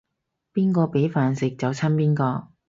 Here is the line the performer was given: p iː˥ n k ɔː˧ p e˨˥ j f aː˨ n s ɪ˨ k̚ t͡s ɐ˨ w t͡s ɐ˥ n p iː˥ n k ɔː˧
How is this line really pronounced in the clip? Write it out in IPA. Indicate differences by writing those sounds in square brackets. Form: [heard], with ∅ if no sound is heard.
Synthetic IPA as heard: p iː˥ n k ɔː˧ p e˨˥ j f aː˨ n s ɪ˨ k̚ t͡s ɐ˨ w [t͡sʰ] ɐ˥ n p iː˥ n k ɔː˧